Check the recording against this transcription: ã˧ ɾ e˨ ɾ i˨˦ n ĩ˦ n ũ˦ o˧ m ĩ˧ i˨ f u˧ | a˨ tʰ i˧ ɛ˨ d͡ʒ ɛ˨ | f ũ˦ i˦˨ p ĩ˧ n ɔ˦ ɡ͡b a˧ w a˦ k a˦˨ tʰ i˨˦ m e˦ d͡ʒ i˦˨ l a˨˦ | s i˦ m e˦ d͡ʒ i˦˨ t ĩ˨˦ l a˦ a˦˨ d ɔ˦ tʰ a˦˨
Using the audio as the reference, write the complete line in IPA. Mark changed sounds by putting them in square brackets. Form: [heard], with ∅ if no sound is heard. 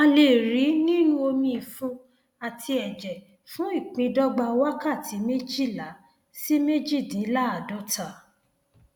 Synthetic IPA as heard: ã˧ [l] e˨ ɾ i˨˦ n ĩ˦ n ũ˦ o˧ m ĩ˧ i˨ f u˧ | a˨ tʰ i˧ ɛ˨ d͡ʒ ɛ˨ | f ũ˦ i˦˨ [k͡p] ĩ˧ [d] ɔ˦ ɡ͡b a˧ w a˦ k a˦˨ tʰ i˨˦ m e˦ d͡ʒ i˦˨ l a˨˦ | s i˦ m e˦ d͡ʒ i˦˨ [d] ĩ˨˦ l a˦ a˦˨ d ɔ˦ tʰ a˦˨